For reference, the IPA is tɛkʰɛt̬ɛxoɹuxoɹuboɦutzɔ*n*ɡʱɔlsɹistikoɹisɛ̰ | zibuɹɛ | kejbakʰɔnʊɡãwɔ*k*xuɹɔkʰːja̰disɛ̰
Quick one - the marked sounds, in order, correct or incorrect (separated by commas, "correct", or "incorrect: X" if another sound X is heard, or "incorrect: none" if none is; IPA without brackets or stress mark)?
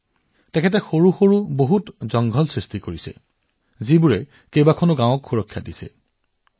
incorrect: ŋ, correct